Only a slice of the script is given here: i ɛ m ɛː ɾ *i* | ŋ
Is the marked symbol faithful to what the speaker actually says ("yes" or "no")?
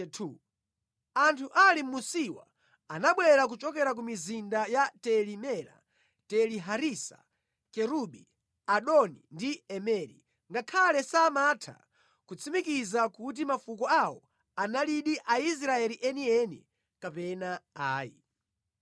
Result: yes